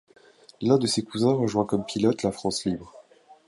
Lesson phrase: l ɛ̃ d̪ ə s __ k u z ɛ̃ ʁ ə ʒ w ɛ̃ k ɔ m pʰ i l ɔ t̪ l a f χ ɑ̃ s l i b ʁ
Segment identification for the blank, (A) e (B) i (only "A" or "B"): A